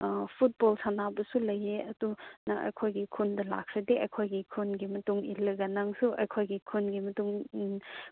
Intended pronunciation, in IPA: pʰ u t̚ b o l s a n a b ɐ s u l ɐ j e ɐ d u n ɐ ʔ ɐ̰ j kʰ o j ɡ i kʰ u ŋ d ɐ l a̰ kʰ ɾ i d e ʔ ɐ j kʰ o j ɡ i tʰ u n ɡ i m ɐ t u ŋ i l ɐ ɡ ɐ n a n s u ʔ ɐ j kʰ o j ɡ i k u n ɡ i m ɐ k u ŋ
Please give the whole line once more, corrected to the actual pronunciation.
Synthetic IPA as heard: pʰ u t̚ b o l s a n a b ɐ s u l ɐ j e ɐ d u n ɐ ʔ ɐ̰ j kʰ o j ɡ i kʰ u n d ɐ l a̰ kʰ ɾ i d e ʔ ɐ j kʰ o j ɡ i kʰ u n ɡ i m ɐ t u ŋ i l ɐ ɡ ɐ n a ŋ s u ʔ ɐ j kʰ o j ɡ i kʰ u n ɡ i m ɐ t u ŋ